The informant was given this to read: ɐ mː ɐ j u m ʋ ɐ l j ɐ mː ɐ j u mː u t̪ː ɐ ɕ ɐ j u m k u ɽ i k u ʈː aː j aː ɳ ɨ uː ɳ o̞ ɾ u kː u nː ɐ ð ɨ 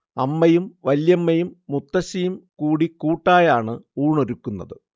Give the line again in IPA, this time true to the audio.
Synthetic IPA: ɐ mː ɐ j u m ʋ ɐ l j ɐ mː ɐ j u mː u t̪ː ɐ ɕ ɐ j u m k uː ɽ i k uː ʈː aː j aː ɳ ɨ uː ɳ o̞ ɾ u kː u nː ɐ ð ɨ